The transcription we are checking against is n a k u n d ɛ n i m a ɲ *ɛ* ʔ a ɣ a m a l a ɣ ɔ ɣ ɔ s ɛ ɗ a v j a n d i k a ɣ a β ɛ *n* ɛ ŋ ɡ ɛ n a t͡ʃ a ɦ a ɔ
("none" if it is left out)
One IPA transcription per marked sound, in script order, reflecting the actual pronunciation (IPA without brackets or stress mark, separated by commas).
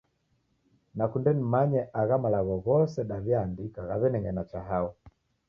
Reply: ɛ, n